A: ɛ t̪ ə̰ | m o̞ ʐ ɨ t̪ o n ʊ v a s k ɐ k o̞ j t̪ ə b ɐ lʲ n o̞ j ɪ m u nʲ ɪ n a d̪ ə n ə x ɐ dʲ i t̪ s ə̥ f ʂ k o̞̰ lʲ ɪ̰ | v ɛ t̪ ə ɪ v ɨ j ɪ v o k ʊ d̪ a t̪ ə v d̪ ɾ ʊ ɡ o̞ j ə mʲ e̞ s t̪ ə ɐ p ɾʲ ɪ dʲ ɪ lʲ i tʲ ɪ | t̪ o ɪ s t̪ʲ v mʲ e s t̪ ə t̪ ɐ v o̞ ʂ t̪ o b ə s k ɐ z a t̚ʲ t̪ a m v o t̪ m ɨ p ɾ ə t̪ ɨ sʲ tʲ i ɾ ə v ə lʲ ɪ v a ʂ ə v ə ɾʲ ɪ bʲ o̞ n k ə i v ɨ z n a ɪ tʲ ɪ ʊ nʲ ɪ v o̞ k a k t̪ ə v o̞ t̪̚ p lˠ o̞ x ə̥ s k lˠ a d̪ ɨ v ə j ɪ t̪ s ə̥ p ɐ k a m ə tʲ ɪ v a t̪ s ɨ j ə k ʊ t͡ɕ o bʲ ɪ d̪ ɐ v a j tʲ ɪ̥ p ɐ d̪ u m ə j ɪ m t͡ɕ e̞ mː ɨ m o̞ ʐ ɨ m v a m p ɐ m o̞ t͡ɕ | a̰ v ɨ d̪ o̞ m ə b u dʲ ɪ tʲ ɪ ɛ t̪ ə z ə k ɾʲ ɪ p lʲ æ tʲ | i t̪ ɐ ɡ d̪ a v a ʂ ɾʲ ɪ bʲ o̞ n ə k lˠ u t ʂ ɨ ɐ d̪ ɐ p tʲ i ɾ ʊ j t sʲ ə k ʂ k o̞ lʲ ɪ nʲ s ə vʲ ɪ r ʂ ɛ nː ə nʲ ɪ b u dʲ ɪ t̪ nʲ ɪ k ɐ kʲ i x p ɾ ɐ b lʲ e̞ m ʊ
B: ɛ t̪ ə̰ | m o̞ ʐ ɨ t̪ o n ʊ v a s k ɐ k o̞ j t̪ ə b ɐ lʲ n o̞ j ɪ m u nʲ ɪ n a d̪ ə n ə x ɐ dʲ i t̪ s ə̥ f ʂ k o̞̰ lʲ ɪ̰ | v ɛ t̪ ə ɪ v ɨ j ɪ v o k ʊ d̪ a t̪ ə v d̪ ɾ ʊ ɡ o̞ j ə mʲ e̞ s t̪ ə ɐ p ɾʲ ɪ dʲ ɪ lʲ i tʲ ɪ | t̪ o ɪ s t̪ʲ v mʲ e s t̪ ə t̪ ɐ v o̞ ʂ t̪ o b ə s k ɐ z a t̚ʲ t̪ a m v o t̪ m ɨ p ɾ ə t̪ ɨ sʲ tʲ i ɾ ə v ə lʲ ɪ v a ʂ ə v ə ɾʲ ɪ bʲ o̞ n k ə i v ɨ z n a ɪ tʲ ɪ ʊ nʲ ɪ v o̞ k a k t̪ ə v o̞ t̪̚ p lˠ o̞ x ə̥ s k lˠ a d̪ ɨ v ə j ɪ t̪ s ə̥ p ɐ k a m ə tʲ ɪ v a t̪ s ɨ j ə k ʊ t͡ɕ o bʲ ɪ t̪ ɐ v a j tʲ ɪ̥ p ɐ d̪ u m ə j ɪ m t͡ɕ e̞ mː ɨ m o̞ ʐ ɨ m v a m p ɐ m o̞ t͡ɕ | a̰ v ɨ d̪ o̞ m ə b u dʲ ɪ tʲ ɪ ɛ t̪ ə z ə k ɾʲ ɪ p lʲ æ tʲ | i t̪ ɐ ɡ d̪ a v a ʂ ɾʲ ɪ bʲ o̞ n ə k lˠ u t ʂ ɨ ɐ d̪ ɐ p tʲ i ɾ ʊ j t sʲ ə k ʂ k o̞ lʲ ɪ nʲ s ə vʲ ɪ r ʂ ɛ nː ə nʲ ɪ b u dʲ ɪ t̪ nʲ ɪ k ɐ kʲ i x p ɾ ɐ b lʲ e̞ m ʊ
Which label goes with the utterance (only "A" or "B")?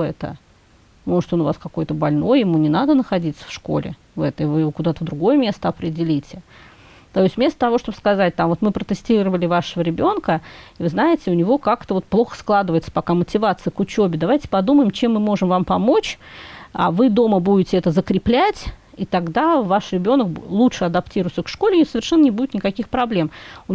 A